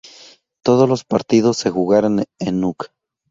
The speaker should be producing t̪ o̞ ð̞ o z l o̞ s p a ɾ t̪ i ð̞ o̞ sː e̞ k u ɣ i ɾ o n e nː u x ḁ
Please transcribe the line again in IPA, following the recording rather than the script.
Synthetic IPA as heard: t̪ o̞ ð̞ o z l o̞ s p a ɾ t̪ i ð̞ o̞ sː e̞ x u ɣ a ɾ o n e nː u k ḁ